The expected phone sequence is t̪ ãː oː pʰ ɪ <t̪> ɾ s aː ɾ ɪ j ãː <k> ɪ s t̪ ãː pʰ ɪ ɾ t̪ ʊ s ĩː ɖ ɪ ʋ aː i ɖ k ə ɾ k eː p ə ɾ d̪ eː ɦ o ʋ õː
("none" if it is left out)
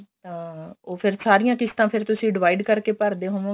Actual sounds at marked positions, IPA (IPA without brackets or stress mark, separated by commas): none, k